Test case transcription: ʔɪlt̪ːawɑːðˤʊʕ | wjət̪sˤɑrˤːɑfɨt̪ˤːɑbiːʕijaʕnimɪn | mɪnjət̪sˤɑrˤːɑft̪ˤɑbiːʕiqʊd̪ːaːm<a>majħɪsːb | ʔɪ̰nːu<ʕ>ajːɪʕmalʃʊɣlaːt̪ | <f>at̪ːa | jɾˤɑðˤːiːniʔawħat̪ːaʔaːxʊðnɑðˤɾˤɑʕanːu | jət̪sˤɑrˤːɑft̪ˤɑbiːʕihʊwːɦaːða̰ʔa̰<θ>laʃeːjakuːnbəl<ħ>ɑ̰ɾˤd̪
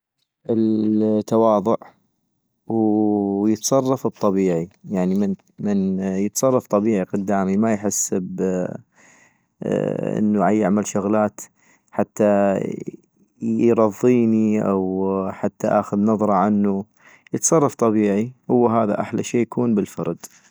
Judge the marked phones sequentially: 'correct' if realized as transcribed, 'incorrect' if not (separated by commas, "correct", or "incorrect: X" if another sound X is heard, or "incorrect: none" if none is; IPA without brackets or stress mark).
incorrect: i, correct, incorrect: ħ, incorrect: ħ, incorrect: f